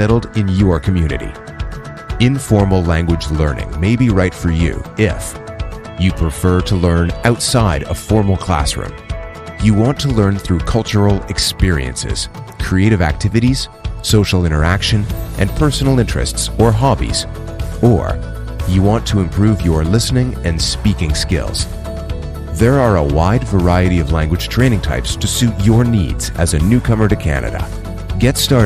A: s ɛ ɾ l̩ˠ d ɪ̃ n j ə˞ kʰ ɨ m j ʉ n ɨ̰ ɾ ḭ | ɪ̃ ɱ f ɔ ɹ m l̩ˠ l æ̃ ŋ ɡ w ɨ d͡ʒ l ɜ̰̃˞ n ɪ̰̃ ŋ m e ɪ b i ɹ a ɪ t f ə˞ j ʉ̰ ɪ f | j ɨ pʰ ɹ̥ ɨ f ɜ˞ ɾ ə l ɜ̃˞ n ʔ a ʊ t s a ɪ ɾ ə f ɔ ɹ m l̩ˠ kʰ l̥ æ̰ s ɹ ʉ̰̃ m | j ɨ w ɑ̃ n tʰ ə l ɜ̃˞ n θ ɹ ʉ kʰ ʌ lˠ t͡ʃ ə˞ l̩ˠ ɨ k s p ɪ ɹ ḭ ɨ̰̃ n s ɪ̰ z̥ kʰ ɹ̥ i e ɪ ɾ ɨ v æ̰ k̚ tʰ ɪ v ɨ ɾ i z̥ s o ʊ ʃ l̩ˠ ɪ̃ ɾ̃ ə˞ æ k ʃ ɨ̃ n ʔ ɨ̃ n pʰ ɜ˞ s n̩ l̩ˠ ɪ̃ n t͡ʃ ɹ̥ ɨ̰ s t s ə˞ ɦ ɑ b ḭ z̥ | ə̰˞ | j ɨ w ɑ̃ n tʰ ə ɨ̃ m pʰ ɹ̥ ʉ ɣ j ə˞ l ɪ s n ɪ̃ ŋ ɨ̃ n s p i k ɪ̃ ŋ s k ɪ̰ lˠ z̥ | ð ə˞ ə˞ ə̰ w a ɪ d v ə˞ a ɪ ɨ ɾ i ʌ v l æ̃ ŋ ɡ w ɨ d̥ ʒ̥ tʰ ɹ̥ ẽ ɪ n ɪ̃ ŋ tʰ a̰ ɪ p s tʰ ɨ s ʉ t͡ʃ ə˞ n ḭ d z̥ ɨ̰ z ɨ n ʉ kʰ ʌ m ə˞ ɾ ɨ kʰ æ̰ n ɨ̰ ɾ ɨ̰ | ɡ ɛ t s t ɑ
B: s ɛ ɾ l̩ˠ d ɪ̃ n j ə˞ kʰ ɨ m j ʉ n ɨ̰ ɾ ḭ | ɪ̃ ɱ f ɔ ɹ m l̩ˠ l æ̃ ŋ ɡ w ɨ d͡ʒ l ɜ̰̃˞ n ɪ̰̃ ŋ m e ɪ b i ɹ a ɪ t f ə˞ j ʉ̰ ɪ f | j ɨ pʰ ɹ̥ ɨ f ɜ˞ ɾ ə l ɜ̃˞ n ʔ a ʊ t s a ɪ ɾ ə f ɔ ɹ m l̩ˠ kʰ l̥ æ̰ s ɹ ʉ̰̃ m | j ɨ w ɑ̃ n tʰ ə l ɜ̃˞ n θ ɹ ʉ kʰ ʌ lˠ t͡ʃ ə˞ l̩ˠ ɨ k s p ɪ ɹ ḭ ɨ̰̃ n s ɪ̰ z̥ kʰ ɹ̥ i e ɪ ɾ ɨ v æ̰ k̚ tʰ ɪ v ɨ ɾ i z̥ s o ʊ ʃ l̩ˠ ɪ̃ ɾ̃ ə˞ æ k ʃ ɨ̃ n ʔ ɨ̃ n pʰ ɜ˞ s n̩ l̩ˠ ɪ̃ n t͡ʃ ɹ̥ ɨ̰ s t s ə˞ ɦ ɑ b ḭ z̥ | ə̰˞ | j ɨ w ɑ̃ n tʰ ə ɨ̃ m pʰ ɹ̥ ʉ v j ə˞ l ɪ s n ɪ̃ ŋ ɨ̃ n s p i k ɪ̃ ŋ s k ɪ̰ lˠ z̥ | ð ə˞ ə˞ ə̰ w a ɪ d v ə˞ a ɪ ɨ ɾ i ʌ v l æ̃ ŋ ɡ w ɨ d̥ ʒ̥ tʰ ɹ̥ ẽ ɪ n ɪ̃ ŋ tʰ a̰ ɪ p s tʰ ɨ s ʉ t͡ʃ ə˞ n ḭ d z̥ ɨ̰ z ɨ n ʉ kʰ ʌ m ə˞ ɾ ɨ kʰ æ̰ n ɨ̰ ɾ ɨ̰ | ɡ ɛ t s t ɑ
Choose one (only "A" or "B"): B